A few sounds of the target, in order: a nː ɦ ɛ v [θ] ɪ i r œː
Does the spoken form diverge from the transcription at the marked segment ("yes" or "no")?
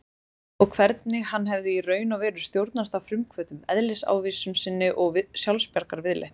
yes